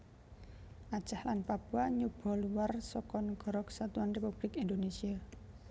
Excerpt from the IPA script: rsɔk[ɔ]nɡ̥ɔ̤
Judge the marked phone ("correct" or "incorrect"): correct